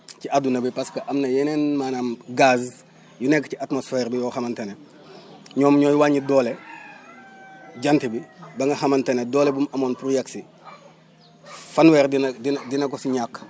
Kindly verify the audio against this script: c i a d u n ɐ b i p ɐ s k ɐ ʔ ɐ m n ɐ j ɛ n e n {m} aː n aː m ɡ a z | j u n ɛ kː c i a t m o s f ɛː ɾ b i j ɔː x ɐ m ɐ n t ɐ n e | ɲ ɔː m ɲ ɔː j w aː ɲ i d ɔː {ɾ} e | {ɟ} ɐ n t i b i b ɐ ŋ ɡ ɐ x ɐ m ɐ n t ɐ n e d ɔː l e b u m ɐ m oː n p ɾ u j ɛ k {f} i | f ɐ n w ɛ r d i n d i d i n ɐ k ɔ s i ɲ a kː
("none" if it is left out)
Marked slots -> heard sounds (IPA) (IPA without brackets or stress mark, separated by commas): m, l, ɟ, s